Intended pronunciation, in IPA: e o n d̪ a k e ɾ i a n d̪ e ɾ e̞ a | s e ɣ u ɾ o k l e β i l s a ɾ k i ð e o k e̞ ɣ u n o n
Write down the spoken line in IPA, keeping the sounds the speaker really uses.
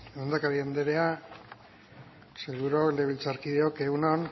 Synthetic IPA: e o n d̪ a k a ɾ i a n d̪ e ɾ e̞ a | s e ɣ u ɾ o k l e β i l t͡s a ɾ k i ð e o k e̞ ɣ u n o n